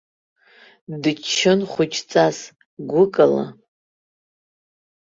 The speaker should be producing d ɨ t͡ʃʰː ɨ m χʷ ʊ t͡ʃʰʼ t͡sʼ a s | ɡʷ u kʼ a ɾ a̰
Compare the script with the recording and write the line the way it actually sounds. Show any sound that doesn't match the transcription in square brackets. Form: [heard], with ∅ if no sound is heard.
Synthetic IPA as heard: d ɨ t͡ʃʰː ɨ [n] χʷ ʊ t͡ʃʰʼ t͡sʼ a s | ɡʷ [ʊ] kʼ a [l] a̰